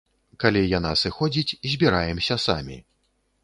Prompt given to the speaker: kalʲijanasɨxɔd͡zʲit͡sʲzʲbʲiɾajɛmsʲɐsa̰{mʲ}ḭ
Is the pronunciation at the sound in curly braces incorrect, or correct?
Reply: correct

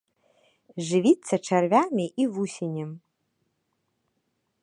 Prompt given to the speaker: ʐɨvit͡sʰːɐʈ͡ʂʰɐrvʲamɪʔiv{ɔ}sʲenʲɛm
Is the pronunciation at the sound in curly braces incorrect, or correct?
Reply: incorrect: u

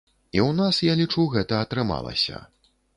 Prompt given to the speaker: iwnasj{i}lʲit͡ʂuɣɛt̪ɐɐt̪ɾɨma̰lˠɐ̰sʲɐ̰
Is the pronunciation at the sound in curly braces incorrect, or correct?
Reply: incorrect: a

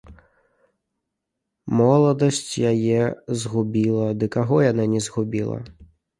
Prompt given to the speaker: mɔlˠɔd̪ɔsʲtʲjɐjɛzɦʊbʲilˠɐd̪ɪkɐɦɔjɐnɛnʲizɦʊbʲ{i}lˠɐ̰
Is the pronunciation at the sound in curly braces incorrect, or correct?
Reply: correct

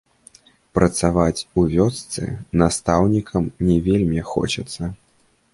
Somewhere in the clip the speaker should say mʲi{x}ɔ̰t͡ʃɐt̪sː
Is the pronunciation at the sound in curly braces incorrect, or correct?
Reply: correct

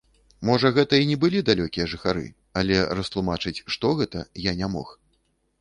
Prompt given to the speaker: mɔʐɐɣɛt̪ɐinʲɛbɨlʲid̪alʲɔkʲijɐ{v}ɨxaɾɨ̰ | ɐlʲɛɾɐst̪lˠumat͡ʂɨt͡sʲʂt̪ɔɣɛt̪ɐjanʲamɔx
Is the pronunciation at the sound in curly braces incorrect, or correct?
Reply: incorrect: ʐ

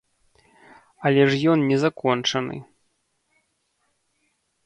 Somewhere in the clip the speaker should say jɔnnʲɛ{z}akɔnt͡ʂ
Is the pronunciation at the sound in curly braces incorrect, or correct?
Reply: correct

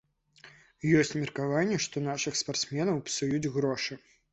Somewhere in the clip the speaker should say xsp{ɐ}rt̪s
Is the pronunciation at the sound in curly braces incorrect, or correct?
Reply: incorrect: a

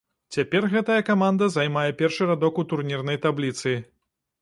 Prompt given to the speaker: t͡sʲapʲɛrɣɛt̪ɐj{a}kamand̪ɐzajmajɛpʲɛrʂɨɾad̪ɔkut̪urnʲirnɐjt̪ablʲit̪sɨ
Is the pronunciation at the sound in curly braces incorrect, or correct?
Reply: incorrect: ɐ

